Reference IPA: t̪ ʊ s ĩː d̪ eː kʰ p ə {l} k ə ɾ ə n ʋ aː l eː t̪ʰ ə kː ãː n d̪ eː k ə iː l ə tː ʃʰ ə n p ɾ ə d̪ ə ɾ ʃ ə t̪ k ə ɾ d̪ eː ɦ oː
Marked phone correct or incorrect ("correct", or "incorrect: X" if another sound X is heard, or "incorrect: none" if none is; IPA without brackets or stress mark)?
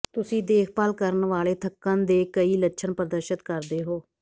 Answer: correct